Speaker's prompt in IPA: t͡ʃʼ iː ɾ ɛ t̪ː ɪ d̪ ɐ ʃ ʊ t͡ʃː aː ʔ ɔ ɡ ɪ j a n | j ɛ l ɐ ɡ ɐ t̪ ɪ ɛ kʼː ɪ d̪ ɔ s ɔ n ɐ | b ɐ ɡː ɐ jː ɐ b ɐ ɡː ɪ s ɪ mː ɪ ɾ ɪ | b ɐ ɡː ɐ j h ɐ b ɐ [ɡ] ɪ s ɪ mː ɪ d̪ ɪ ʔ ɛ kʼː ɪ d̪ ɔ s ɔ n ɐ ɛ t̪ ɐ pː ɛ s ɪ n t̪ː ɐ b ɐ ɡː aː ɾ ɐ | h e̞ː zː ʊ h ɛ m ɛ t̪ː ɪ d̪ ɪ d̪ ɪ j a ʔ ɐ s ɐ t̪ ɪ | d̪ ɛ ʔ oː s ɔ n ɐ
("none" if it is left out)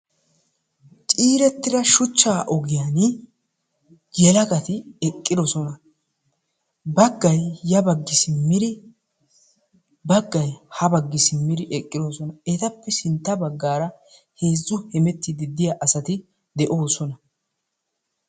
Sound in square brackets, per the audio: ɡː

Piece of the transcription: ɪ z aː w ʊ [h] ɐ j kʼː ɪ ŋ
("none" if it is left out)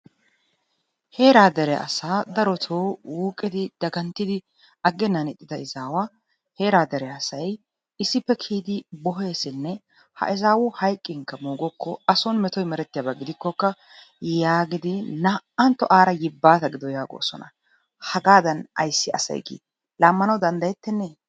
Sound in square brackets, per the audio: h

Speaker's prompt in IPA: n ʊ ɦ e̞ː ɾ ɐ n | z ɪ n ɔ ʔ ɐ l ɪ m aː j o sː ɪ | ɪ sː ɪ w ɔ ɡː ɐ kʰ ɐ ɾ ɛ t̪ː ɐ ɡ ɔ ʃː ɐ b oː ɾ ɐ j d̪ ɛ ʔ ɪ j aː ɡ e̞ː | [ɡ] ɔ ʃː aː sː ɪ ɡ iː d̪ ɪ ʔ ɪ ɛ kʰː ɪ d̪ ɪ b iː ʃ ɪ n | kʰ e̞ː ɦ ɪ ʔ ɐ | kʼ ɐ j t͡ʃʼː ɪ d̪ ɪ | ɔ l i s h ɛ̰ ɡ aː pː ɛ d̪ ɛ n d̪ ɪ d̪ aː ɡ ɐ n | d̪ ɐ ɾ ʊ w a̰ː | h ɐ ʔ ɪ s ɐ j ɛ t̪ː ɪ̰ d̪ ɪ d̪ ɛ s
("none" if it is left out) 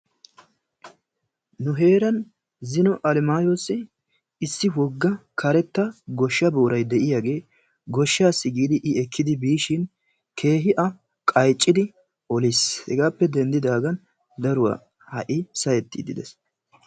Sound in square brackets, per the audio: ɡ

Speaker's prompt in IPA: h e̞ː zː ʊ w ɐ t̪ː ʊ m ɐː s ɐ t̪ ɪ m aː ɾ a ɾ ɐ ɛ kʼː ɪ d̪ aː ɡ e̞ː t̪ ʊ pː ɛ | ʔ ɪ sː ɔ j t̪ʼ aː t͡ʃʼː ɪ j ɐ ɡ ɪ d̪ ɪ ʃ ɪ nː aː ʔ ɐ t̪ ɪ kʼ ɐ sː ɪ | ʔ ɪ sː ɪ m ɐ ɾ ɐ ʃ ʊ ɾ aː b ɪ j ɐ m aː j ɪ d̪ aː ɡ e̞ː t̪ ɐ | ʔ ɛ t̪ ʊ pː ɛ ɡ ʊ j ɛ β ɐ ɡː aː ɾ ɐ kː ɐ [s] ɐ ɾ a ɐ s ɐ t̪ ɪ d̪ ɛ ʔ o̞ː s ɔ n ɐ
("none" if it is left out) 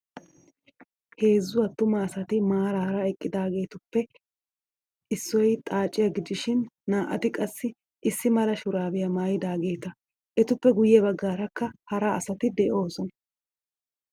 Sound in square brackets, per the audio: h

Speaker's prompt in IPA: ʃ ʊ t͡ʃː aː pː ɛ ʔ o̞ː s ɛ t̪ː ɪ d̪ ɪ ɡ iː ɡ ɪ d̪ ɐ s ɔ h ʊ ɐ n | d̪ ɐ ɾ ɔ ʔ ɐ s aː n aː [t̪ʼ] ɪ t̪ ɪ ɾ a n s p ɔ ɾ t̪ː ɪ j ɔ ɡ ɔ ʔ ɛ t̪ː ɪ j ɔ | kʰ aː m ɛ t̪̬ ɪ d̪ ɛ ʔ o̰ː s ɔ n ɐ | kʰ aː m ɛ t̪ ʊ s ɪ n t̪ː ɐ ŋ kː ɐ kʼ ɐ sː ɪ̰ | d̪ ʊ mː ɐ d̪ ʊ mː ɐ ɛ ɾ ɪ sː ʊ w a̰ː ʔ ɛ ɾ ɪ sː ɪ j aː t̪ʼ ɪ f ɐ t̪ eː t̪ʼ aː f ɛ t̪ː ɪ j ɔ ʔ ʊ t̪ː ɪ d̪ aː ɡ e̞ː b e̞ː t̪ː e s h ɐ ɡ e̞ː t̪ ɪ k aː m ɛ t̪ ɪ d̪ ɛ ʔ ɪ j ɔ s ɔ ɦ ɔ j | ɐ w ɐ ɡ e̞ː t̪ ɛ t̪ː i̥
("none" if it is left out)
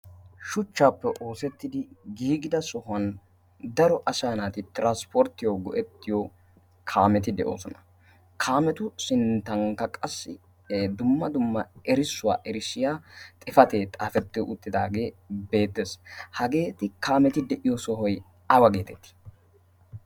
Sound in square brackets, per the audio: t̪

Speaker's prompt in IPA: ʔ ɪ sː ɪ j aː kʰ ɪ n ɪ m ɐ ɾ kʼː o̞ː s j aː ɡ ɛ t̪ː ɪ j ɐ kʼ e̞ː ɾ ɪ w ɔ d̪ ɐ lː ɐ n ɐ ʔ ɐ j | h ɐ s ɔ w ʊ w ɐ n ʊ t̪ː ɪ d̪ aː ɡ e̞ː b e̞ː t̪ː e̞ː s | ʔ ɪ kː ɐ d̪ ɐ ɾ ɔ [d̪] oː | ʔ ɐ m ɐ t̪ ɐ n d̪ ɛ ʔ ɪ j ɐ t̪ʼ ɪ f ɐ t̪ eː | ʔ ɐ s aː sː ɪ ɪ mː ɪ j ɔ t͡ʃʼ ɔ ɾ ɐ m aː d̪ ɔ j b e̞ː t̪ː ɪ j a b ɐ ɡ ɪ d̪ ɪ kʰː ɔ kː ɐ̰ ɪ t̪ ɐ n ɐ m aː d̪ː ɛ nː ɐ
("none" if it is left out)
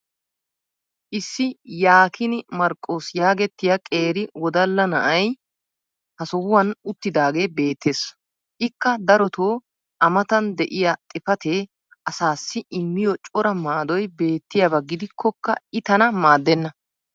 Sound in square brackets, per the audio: t̪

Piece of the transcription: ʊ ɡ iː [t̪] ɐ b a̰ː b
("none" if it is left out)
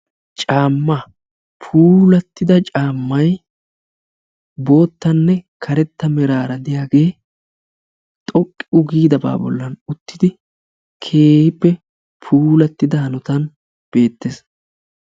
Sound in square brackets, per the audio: d̪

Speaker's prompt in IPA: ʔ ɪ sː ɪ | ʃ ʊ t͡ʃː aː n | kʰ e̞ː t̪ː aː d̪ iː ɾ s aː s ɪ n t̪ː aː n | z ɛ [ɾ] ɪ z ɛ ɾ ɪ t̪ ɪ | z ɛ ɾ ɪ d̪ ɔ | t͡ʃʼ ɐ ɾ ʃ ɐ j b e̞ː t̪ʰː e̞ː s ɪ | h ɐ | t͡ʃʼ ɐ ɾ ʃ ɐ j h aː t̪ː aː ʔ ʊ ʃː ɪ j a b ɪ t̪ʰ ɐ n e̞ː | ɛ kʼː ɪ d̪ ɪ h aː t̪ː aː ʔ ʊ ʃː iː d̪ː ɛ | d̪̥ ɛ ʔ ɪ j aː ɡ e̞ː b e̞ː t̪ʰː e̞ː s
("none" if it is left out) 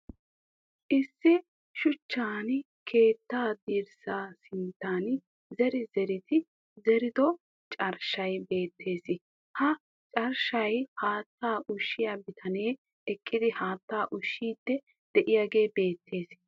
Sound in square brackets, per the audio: ɾ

